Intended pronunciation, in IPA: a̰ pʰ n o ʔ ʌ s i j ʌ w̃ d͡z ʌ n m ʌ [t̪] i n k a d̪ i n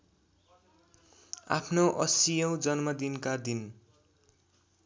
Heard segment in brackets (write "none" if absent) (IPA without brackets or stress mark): d̪